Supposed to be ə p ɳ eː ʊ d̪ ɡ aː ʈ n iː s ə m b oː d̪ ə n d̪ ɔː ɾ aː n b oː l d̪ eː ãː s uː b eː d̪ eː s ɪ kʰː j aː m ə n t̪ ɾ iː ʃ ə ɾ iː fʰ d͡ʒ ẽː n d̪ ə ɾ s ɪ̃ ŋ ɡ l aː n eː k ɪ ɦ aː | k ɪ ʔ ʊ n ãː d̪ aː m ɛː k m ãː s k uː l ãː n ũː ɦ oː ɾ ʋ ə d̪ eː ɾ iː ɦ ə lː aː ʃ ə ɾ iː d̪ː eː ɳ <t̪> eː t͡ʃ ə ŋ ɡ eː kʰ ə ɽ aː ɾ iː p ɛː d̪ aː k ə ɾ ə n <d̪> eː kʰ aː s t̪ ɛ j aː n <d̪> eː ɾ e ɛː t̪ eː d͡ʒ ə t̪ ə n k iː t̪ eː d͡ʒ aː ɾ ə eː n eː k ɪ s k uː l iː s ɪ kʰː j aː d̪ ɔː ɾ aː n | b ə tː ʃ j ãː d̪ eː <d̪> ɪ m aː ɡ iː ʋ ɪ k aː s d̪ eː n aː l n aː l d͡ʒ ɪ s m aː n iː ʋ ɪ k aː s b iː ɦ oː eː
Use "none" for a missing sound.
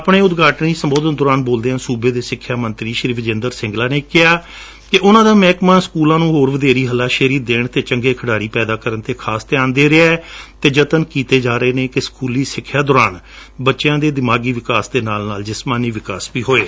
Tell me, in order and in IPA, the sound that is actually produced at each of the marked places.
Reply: t̪, t̪, d̪, d̪

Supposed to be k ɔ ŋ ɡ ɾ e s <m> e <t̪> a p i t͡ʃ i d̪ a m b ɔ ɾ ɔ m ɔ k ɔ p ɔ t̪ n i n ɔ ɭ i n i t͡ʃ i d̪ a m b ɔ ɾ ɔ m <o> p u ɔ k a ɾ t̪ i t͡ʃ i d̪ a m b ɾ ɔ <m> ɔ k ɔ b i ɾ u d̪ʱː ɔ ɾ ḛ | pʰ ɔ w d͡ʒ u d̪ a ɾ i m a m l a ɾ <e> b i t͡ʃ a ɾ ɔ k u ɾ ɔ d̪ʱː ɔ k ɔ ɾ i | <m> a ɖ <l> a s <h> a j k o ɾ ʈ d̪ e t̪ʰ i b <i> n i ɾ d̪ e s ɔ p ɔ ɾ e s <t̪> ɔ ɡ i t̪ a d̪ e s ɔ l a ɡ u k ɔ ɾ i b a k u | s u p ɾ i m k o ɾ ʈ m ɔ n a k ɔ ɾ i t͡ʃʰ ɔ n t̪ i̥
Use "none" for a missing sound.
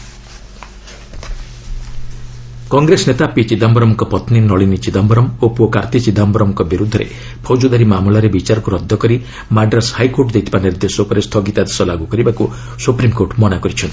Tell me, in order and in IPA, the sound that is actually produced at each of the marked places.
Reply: n, t̪, o, m, e, m, ɾ, h, a, t̪ʰ

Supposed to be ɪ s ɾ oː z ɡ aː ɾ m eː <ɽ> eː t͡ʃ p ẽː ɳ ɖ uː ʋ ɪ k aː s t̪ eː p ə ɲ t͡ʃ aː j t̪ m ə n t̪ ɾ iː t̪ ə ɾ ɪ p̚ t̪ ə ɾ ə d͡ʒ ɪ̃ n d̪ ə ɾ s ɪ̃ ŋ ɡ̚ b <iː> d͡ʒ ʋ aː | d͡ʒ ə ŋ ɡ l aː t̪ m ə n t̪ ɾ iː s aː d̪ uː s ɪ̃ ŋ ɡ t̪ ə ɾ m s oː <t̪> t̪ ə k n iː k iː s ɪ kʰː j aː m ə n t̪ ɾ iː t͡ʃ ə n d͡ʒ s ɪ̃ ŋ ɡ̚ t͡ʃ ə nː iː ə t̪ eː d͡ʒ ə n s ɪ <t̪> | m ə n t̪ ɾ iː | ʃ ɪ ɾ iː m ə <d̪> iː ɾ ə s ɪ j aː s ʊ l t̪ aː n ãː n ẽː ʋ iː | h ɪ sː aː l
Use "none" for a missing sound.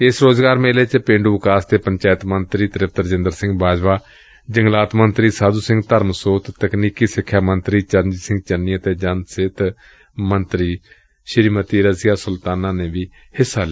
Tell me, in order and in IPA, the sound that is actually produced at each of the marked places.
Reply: l, aː, t̪, t̪, t̪

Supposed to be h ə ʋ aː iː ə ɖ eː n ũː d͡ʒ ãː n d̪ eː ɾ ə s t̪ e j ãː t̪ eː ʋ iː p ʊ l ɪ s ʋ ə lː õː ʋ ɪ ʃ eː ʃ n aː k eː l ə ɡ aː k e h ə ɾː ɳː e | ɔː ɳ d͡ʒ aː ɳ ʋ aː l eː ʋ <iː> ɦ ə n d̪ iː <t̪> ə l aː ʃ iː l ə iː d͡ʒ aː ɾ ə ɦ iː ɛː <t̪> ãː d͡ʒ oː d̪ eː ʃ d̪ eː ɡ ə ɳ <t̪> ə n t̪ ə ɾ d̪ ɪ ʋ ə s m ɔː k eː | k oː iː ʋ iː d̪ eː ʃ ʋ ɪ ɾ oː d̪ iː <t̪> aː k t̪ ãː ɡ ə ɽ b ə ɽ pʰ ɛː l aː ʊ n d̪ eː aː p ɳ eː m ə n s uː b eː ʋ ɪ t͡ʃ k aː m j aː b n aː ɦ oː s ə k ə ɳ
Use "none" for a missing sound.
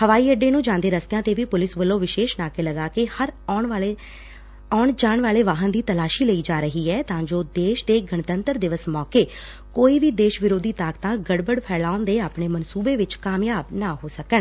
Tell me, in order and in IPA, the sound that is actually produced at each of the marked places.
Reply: aː, t̪, t̪, t̪, t̪

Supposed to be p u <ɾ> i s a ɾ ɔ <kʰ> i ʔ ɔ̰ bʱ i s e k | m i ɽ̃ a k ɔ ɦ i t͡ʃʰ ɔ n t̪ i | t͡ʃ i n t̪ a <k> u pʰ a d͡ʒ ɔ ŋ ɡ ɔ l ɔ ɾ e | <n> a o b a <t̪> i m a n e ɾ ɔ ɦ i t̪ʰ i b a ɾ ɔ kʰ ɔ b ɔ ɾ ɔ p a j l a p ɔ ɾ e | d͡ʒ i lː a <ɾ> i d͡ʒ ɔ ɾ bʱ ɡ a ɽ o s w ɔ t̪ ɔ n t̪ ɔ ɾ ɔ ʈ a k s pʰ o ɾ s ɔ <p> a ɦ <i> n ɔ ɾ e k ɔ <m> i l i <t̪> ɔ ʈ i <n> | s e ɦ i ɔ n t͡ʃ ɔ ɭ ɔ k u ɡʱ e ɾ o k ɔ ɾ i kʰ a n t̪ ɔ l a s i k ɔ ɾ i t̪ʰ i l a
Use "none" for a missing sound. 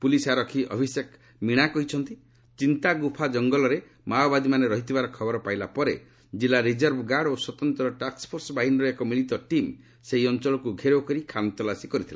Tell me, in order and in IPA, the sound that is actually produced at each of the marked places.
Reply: l, kʰ, ɡ, m, d̪, ɾ, b, i, m, t̪, m

